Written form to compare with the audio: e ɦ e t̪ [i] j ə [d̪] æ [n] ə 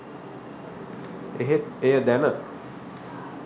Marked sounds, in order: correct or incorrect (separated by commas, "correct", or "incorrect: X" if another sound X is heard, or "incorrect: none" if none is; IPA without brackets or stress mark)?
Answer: incorrect: e, correct, correct